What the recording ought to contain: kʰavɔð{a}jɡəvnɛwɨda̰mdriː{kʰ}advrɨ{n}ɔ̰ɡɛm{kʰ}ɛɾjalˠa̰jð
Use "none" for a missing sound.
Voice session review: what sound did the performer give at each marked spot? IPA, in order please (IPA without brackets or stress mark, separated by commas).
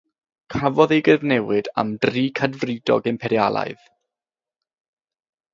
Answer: e, kʰ, d, pʰ